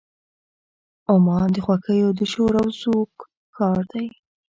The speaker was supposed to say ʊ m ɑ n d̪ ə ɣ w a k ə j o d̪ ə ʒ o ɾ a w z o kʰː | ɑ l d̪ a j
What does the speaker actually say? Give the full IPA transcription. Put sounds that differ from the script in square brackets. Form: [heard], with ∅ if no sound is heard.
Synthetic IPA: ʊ m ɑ n d̪ ə [x] w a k ə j o d̪ ə [ʃ] o ɾ a w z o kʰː | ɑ [ɾ] d̪ a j